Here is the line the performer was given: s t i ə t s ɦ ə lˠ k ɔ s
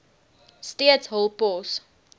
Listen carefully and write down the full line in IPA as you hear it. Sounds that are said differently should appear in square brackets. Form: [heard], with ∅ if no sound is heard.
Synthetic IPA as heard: s t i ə t s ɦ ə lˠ [p] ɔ s